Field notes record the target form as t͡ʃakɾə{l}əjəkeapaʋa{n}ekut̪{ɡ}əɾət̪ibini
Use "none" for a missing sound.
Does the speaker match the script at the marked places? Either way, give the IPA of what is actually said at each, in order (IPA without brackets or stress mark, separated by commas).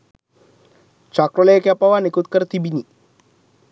l, n, k